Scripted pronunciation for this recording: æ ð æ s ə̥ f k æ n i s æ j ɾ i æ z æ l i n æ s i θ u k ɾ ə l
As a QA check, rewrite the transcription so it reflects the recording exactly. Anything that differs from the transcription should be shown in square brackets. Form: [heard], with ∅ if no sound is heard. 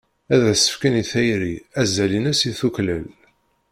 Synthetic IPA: æ ð æ s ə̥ f k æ n i [θ] æ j ɾ i æ z æ l i n æ s i θ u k [l] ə l